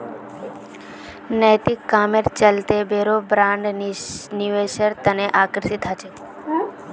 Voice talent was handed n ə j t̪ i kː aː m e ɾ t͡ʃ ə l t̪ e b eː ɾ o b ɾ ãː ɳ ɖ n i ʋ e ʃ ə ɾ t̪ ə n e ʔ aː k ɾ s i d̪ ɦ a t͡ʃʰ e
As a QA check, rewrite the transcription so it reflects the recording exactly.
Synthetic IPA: n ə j t̪ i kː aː m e ɾ t͡ʃ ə l t̪ e b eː ɾ o b ɾ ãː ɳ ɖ n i ʋ e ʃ ə ɾ t̪ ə n e ʔ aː k ɾ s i t̪ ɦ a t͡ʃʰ e